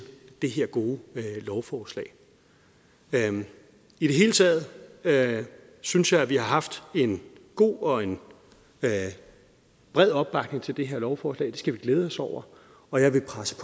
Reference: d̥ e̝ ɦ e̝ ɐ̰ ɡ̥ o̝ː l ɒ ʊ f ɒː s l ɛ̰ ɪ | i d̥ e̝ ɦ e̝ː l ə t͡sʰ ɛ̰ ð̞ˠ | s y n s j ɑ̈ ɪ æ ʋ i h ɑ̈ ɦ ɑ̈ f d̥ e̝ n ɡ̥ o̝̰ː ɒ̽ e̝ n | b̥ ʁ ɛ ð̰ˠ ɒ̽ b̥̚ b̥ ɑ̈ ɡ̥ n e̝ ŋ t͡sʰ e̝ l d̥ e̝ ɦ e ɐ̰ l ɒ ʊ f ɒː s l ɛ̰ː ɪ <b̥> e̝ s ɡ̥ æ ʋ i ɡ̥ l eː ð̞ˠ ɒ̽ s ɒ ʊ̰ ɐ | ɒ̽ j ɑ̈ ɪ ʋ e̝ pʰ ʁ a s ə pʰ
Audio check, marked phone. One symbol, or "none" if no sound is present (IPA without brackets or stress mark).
d̥